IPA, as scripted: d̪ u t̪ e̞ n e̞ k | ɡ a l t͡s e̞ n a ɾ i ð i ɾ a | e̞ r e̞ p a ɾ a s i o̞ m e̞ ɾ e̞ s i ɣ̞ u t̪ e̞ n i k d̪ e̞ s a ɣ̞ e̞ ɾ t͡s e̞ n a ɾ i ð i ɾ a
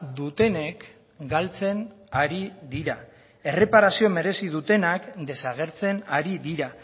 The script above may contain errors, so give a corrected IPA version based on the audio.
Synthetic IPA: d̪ u t̪ e̞ n e̞ k | ɡ a l t͡s e̞ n a ɾ i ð i ɾ a | e̞ r e̞ p a ɾ a s i o̞ m e̞ ɾ e̞ s i ð̞ u t̪ e̞ n a k d̪ e̞ s a ɣ̞ e̞ ɾ t͡s e̞ n a ɾ i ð i ɾ a